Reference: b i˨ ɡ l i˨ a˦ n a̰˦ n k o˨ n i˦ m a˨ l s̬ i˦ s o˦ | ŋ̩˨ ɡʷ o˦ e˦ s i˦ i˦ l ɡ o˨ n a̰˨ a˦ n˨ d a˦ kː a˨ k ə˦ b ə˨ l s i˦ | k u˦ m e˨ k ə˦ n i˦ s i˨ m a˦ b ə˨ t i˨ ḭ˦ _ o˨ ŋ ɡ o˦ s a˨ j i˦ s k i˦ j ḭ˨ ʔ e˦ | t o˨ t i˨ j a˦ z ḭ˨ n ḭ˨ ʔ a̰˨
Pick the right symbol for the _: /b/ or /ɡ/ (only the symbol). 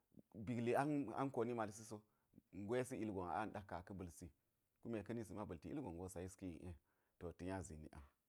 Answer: ɡ